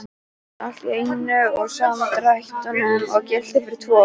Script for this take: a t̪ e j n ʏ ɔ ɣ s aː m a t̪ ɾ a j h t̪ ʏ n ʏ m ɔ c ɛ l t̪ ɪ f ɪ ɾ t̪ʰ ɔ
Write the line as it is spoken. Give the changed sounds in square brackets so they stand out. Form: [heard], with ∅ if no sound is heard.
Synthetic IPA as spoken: a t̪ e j n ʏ ɔ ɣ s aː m a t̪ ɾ a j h t̪ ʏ n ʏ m ɔ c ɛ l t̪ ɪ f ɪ ɾ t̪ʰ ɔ